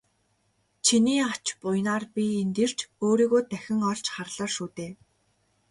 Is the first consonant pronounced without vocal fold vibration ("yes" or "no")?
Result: yes